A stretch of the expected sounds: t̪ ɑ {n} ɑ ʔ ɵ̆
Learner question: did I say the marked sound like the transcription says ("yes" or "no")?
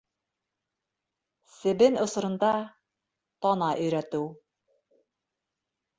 yes